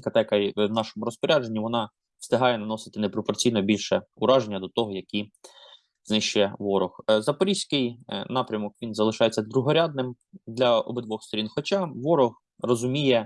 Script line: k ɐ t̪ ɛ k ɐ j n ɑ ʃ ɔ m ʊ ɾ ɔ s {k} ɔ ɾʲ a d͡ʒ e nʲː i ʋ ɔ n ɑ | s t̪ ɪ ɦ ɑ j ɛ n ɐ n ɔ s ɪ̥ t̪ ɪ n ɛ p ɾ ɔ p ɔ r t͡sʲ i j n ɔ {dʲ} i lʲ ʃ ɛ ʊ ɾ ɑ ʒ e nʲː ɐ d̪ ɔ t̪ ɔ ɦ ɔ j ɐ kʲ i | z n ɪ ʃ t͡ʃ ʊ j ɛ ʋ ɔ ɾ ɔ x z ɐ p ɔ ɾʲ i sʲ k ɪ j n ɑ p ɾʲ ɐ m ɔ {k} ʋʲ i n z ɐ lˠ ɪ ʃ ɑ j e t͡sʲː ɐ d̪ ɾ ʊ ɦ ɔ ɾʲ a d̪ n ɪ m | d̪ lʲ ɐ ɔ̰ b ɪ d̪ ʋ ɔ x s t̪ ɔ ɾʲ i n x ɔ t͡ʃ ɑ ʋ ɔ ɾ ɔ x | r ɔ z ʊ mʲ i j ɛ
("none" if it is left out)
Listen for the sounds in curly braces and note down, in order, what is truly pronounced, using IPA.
p, bʲ, k

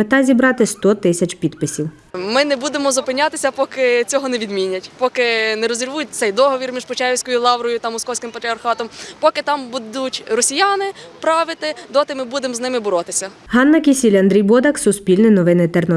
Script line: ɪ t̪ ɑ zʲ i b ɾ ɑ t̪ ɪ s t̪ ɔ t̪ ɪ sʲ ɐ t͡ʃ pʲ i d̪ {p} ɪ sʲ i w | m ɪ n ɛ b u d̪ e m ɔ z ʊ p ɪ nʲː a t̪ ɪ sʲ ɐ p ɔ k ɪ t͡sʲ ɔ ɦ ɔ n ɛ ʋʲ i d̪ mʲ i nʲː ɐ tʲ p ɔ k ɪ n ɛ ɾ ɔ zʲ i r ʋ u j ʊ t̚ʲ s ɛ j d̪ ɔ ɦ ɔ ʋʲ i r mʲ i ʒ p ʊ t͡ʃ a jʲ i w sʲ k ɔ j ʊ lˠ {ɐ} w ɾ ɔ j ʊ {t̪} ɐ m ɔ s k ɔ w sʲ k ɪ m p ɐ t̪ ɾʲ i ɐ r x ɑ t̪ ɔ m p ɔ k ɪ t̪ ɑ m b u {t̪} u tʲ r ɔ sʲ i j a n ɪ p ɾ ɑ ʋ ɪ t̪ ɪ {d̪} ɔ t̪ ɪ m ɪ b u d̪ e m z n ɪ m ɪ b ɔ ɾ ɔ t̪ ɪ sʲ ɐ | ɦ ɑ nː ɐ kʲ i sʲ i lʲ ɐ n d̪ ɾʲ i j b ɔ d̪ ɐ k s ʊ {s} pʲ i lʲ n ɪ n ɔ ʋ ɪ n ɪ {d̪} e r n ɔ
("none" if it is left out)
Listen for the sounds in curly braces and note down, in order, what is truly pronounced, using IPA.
p, ɑ, t̪, d̪, d̪, s, t̪

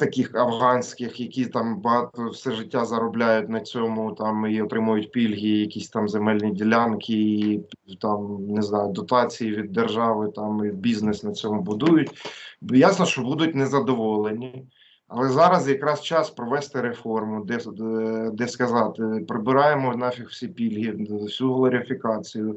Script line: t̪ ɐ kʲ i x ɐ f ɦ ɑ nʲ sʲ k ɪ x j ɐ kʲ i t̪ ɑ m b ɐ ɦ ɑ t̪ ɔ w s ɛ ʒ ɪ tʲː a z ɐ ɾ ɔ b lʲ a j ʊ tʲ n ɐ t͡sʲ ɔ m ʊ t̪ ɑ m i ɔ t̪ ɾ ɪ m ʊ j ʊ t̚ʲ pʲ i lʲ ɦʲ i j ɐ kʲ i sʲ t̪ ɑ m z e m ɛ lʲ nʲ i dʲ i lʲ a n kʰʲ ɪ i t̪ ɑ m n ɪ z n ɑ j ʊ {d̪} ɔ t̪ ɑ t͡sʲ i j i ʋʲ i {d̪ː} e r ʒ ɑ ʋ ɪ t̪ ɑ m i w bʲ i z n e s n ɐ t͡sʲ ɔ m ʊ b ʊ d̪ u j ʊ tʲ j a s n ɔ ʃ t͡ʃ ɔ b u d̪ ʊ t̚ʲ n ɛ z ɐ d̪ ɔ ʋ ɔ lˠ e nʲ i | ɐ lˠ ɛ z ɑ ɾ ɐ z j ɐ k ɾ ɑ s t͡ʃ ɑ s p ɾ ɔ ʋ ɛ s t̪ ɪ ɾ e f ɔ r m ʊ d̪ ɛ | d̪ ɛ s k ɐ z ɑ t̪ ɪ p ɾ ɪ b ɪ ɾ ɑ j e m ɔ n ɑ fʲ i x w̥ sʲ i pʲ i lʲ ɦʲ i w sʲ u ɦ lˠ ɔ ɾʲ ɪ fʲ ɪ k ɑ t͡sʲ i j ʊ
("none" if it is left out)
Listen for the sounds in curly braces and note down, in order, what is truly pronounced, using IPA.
d̪, d̪ː

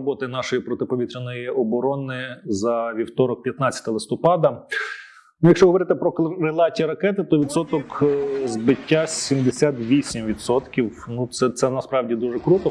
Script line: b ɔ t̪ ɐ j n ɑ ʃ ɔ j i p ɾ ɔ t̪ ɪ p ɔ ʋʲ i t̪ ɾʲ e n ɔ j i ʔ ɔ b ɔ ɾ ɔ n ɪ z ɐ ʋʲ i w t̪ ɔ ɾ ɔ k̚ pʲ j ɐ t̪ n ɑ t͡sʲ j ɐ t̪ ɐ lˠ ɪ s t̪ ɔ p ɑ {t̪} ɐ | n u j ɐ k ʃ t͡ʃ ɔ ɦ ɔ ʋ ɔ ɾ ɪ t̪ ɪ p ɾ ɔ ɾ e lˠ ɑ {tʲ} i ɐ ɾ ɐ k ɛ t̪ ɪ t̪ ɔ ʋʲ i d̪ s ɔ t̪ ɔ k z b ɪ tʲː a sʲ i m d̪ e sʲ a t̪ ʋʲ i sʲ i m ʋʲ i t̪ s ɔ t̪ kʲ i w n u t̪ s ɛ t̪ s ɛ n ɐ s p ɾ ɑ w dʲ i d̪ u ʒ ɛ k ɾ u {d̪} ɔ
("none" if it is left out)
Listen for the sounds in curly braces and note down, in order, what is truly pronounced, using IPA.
d̪, tʲ, t̪

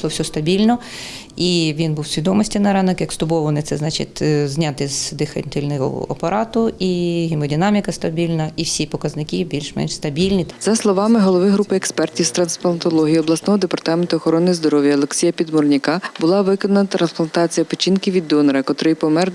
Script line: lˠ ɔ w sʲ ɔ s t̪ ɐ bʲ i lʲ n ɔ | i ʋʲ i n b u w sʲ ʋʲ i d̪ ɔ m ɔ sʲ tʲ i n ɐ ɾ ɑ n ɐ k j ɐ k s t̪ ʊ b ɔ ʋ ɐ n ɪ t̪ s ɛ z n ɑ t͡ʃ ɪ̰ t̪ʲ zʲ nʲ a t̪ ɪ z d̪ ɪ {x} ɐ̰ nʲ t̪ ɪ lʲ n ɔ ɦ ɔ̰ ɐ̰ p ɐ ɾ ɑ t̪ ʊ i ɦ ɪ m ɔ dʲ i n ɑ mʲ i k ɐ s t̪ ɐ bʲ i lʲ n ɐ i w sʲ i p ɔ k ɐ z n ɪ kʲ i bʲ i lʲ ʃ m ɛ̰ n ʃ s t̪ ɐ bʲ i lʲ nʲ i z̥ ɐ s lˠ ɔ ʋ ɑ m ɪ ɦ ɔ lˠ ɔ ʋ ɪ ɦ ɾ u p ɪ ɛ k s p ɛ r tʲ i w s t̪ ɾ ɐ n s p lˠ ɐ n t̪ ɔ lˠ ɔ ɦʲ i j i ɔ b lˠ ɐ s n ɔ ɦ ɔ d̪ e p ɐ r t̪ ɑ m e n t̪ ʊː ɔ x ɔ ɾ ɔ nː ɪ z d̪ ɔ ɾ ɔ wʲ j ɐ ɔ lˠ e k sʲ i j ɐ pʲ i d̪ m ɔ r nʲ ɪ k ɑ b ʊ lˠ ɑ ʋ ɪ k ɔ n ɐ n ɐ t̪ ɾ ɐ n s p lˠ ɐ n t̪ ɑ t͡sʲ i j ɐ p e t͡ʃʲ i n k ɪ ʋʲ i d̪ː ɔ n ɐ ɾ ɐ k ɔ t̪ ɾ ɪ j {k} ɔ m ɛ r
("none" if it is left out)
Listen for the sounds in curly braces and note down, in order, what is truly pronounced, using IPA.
x, p

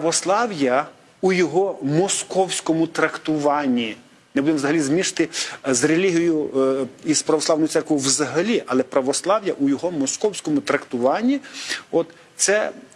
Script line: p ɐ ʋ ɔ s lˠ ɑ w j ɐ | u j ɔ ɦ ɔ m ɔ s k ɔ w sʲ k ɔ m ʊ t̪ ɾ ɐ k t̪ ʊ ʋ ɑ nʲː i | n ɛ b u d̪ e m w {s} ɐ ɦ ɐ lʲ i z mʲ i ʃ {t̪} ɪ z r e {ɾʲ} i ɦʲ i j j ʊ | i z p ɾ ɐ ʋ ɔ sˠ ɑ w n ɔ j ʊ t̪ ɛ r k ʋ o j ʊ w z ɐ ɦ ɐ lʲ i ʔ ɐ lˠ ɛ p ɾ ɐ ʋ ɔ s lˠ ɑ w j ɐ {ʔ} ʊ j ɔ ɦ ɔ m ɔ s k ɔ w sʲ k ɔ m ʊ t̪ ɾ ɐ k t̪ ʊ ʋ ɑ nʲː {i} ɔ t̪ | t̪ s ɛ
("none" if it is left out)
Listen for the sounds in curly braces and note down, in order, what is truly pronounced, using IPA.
z, t̪, lʲ, ʔ, i

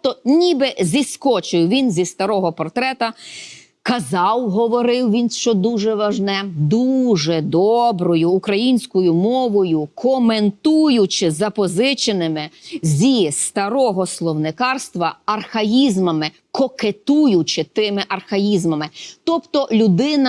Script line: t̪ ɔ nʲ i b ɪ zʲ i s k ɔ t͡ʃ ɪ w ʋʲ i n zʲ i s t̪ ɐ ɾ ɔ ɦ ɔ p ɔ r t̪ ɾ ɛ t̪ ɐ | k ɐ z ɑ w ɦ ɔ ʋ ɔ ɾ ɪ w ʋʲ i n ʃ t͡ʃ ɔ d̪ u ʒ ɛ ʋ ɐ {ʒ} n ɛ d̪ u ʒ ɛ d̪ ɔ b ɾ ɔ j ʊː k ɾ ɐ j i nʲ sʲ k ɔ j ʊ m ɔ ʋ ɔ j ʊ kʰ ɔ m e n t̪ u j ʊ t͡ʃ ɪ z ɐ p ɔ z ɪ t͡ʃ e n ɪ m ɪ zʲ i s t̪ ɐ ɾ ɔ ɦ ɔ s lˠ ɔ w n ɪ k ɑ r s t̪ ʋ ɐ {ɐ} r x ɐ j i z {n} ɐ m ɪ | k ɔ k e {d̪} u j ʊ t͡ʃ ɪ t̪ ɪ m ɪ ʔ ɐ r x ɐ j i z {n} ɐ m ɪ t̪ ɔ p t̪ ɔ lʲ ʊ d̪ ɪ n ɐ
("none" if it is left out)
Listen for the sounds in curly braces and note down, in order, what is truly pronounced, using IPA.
ʒ, ɐ, m, t̪, m

